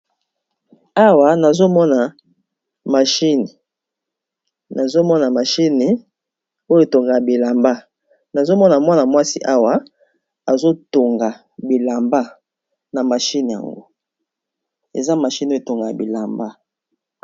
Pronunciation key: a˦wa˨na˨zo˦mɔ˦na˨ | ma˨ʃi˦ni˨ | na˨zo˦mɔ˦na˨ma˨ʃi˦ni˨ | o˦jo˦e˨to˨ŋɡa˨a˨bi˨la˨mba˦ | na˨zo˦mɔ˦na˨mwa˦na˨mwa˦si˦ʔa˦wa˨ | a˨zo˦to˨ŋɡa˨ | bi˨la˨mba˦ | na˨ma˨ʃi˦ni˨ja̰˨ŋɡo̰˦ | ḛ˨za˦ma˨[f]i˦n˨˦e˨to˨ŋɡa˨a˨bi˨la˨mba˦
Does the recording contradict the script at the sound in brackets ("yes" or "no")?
yes